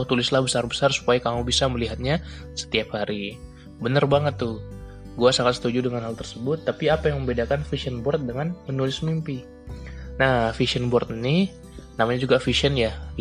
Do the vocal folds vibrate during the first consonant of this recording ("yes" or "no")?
no